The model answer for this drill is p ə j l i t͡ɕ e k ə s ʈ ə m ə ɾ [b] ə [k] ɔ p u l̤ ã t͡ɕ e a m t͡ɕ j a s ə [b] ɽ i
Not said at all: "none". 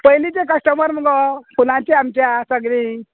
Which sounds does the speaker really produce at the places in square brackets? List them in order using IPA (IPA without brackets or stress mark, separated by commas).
m, ɡ, ɡ